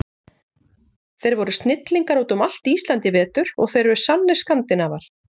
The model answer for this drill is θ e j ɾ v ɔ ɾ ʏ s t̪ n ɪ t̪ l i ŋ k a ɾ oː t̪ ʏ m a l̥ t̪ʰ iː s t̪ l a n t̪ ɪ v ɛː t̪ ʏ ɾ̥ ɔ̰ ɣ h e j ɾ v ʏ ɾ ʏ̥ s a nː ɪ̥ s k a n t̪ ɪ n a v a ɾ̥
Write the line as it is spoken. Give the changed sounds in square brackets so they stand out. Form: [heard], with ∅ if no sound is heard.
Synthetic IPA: θ e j ɾ v ɔ ɾ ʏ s t̪ n ɪ t̪ l i ŋ k a ɾ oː t̪ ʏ m a l̥ [t̪] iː s t̪ l a n t̪ ɪ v ɛː t̪ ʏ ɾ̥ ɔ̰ ɣ [θ] e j ɾ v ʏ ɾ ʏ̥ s a nː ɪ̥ s k a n t̪ ɪ n a v a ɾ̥

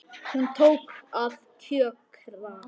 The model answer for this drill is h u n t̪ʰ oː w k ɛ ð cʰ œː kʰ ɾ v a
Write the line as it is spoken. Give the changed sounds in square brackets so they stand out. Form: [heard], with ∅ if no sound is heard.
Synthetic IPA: h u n t̪ʰ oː w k [a] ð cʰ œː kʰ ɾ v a

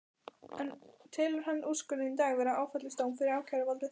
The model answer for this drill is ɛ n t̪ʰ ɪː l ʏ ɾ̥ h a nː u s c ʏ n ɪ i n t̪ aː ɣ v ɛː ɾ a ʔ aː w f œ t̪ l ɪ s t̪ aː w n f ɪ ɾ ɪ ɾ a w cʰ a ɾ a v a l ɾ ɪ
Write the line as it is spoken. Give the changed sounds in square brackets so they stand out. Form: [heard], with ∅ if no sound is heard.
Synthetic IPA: ɛ n t̪ʰ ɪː l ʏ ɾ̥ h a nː u s [k] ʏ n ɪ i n t̪ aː ɣ v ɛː ɾ a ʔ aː w f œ t̪ l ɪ s t̪ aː w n f ɪ ɾ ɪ ɾ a w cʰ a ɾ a v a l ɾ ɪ

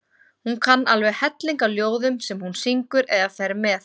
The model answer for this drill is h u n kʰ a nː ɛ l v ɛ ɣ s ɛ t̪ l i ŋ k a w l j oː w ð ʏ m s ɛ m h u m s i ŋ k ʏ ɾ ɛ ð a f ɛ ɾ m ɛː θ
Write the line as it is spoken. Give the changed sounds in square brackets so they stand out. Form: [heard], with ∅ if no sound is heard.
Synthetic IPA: h u n kʰ a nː [a] l v ɛ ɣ [h] ɛ t̪ l i ŋ k a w l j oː w ð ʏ m s ɛ m h u [n] s i ŋ k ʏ ɾ ɛ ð a f ɛ ɾ m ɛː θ

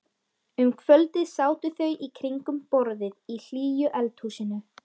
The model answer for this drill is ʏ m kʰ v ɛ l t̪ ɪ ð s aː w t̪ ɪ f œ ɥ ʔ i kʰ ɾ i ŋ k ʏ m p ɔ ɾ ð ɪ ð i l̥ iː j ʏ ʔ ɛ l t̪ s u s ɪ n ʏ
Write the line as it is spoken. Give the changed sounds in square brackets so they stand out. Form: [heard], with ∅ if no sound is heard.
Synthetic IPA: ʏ m kʰ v [œ] l t̪ ɪ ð s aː w t̪ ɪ [θ] œ ɥ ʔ i kʰ ɾ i ŋ k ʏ m p ɔ ɾ ð ɪ ð i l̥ iː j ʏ ʔ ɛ l t̪ [h] u s ɪ n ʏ

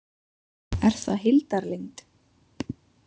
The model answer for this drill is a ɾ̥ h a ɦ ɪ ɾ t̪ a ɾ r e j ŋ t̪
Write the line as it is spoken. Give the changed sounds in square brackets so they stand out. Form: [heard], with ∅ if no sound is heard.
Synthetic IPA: [ɛ] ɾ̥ [θ] a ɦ ɪ [l] t̪ a ɾ [l] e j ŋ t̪

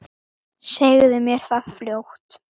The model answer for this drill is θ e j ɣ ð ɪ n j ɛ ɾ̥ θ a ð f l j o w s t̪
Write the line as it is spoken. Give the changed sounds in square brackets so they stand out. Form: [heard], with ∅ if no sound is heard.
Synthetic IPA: [s] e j ɣ ð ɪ [m] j ɛ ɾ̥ θ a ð f l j o w [h] t̪

